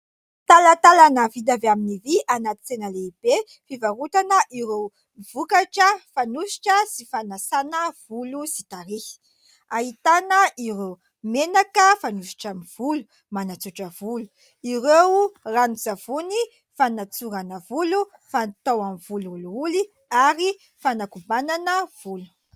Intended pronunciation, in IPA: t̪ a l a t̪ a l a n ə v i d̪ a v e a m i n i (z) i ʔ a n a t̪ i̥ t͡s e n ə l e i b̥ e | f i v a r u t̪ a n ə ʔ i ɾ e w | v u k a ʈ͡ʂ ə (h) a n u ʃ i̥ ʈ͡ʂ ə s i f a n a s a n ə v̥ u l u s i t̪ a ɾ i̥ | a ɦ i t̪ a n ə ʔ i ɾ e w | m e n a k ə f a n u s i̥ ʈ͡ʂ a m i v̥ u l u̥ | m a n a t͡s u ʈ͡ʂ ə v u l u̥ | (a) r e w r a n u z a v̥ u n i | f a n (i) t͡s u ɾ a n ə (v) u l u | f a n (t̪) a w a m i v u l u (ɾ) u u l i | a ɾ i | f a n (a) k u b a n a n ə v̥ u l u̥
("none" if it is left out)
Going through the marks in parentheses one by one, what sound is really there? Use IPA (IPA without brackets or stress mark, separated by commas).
v, f, i, a, v, t̪, l, a